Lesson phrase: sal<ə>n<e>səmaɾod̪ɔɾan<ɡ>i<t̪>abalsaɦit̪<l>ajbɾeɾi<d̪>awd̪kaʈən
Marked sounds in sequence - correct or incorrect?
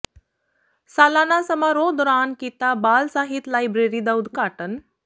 incorrect, incorrect, incorrect, correct, correct, correct

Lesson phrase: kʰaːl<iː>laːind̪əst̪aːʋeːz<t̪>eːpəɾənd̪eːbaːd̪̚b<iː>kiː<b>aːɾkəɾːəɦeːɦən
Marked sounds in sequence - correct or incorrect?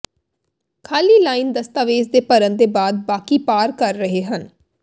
correct, incorrect, incorrect, incorrect

